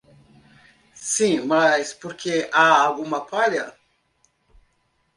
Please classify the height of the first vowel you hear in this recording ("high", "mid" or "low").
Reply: high